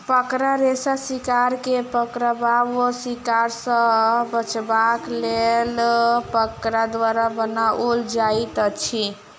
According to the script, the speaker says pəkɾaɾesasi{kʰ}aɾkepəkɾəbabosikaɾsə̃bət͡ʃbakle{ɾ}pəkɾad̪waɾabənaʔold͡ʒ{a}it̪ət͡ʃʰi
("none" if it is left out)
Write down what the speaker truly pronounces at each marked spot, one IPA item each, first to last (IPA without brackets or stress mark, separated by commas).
k, l, a